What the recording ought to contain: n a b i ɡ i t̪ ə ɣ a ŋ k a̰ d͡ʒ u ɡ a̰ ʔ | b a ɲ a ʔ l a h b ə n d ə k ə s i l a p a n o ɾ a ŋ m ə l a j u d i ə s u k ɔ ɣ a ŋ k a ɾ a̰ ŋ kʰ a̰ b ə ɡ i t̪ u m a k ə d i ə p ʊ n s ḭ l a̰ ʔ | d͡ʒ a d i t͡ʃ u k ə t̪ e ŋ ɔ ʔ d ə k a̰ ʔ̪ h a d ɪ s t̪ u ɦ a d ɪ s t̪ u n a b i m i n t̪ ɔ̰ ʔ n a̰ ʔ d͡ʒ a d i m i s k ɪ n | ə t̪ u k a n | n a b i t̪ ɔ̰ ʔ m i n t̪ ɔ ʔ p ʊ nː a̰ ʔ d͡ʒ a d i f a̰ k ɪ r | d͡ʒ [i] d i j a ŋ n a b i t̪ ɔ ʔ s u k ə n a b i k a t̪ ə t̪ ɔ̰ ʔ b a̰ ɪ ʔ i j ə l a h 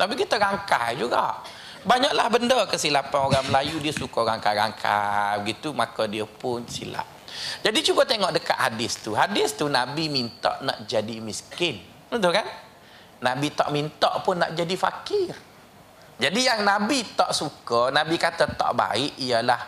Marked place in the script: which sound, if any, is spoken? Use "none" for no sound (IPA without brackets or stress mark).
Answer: a